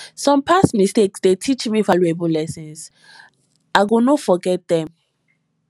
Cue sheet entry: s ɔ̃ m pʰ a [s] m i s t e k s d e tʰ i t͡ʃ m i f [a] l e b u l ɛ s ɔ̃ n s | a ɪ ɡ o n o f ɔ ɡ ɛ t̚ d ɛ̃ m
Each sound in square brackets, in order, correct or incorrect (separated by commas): correct, correct